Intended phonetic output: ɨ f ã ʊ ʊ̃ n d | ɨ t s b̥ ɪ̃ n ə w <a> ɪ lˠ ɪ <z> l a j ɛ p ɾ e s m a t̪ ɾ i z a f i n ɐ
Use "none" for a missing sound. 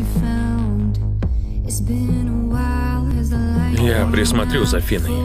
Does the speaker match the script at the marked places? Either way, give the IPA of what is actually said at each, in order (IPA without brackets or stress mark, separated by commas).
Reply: a, z